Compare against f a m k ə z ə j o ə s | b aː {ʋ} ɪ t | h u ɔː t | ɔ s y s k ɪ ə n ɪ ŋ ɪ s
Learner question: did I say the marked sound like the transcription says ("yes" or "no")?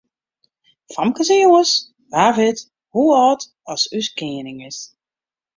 no